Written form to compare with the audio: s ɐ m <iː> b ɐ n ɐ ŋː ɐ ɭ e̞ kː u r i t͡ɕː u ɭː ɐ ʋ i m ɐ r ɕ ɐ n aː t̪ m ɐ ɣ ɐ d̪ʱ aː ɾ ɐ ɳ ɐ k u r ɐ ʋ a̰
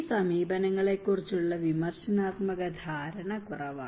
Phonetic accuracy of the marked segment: correct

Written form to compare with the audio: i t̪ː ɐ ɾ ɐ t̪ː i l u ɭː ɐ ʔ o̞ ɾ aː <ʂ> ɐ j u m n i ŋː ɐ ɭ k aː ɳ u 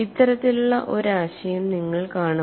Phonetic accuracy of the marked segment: incorrect: ɕ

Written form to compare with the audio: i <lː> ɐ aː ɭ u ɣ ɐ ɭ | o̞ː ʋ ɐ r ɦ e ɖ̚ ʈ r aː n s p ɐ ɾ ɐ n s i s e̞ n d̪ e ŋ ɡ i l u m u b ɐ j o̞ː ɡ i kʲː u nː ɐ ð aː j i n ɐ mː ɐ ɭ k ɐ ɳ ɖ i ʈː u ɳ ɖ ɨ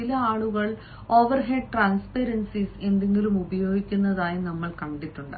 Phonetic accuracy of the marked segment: incorrect: l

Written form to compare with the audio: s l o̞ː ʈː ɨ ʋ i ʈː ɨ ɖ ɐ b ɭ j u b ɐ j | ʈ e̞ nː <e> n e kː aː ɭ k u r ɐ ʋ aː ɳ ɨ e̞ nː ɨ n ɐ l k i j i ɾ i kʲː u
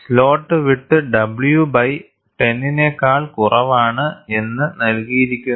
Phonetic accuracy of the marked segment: incorrect: i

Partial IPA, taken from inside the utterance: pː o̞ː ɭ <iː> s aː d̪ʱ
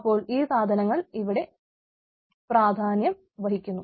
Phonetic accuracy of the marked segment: correct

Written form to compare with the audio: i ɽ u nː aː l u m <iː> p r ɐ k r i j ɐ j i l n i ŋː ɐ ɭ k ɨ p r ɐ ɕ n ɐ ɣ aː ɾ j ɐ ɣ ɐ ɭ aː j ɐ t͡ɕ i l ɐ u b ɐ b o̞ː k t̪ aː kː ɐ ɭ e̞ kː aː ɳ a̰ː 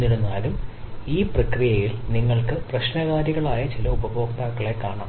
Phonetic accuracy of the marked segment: correct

